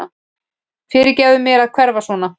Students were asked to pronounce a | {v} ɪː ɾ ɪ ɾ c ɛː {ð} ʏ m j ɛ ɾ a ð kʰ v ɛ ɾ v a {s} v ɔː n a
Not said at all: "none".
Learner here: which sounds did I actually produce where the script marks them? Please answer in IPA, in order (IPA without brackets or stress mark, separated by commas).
f, ð, s